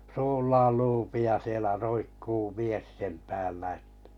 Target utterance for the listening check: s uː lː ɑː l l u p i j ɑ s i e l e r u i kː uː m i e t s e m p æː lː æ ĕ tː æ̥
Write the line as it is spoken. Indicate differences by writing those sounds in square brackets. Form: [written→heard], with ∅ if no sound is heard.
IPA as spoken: s uː lː ɑː l l [u→uː] p i j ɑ s i e l [e→æ] r [u→o] i kː uː m i e [t→s] s e m p æː lː æ ĕ tː æ̥